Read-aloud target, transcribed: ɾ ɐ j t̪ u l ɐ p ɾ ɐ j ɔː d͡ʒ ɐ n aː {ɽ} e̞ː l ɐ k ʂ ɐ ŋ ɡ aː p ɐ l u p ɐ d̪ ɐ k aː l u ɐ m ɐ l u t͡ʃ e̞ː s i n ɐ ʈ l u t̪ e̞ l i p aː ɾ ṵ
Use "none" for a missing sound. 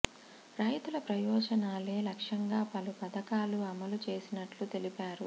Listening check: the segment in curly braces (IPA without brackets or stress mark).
l